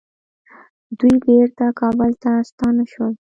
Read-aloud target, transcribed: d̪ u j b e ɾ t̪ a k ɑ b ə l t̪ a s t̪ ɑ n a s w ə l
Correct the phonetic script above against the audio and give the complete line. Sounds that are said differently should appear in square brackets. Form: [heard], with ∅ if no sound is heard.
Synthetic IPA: d̪ u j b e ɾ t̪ a k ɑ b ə l t̪ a s t̪ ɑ n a [ʃ] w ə l